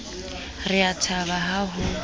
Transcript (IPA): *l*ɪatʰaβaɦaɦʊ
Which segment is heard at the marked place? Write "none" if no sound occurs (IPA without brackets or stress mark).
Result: r